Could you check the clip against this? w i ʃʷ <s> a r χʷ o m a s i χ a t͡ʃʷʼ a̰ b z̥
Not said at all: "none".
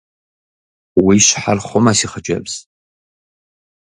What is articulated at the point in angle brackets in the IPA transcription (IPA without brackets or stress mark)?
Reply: ħ